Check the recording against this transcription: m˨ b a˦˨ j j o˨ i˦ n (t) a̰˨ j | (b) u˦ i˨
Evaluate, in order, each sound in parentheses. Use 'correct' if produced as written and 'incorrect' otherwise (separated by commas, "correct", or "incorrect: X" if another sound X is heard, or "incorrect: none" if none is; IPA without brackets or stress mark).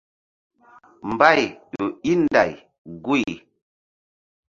incorrect: d, incorrect: ɡ